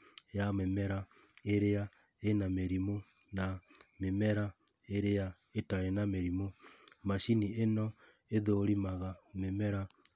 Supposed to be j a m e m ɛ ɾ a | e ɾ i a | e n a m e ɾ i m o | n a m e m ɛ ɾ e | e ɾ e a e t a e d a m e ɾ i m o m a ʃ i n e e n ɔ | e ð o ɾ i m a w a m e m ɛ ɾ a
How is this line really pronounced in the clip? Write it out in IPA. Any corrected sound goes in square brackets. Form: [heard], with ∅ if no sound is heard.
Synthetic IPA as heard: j a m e m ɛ ɾ a | e ɾ [e] a | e n a m e ɾ i m o | n a m e m ɛ ɾ [a] | e ɾ e a e t a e [n] a m e ɾ i m o m a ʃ i n [i] e n ɔ | e ð o ɾ i m a [ɣ] a m e m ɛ ɾ a

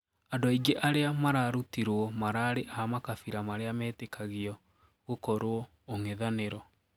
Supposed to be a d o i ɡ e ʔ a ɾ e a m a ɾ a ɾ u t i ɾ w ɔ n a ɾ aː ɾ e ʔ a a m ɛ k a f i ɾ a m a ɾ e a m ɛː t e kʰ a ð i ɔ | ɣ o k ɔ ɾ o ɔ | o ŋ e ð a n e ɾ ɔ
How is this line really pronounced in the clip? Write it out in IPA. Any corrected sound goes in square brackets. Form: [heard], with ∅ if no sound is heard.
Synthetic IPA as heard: a d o i ɡ e ʔ a ɾ e a m a ɾ a ɾ u t i ɾ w ɔ [m] a ɾ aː ɾ e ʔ a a m [a] k a f i ɾ a m a ɾ e a m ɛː t e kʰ a [ɣ] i ɔ | ɣ o k ɔ ɾ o ɔ | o ŋ e ð a n e ɾ ɔ

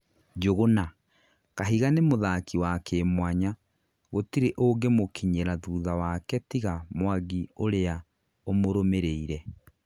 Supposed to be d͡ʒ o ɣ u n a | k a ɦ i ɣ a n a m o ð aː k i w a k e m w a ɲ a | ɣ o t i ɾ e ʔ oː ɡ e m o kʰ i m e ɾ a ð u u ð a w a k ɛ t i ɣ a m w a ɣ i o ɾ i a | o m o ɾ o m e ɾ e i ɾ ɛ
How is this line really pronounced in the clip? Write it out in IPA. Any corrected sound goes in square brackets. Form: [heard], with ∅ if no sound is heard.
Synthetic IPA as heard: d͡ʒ o ɣ [o] n a | k a ɦ i ɣ a n [e] m o ð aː k i w a k e m w a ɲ a | ɣ o t i ɾ e ʔ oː ɡ e m o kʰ i [ɲ] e ɾ a ð u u ð a w a k ɛ t i ɣ a m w a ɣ i o ɾ [e] a | o m o ɾ o m e ɾ e i ɾ ɛ

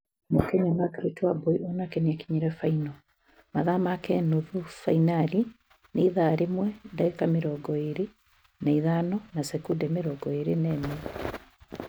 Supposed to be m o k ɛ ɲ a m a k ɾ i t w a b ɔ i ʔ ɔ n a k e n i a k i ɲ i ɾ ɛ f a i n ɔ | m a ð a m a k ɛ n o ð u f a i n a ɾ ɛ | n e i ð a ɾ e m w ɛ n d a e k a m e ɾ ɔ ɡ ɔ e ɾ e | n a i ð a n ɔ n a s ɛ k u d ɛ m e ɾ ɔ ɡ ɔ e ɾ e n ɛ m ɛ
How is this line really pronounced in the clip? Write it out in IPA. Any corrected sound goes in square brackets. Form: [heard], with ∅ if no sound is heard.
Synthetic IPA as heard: m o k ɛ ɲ a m a k ɾ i t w a b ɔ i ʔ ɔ n a k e n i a k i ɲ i ɾ ɛ f a i n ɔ | m a ð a m a k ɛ n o ð u f a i n a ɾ [i] | n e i ð a ɾ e m w ɛ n d a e k a m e ɾ ɔ ɡ ɔ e ɾ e | n a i ð a n ɔ n a s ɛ k u d ɛ m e ɾ ɔ ɡ ɔ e ɾ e n ɛ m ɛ

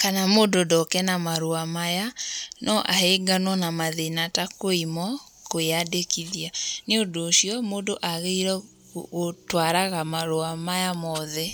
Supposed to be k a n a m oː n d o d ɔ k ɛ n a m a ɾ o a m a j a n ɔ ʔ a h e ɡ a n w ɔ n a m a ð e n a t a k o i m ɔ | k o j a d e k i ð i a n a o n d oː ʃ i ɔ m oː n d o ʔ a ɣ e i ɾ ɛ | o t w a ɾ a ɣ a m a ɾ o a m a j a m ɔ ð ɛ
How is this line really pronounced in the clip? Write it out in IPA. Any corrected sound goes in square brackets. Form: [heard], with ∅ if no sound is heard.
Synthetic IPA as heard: k a n a m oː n d o d ɔ k ɛ n a m a ɾ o a m a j a n ɔ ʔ a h e ɡ a n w ɔ n a m a ð e n a t a k o i m ɔ | k o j a d e k i ð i a n [e] o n d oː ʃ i ɔ m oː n d o ʔ a ɣ e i ɾ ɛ | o t w a ɾ a ɣ a m a ɾ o a m a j a m ɔ ð ɛ

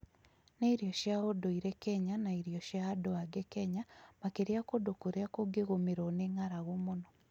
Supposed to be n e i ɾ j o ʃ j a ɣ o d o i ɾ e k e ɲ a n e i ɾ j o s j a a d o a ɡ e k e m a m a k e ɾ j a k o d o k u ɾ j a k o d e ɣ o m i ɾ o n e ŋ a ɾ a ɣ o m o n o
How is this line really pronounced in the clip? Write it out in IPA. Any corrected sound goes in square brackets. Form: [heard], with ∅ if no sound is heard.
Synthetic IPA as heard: n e i ɾ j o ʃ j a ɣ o d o i ɾ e k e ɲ a n [a] i ɾ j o [ʃ] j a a d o a ɡ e k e [ɲ] a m a k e ɾ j a k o d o k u ɾ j a k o [ɡ] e ɣ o m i ɾ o n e ŋ a ɾ a ɣ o m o n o

